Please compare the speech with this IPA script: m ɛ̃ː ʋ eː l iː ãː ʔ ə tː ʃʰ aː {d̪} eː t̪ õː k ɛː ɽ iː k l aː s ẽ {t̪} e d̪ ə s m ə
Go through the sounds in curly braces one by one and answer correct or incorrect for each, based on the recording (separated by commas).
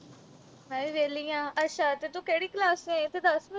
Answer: incorrect, correct